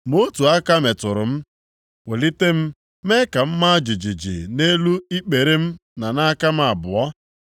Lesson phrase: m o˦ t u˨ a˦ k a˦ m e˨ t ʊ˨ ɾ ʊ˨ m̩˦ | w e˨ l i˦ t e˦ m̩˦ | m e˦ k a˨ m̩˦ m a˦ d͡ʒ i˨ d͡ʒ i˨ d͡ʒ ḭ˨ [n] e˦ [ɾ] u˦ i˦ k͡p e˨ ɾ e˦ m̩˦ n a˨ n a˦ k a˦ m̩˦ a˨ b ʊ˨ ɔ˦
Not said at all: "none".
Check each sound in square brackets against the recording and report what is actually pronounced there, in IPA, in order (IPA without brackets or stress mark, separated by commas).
n, l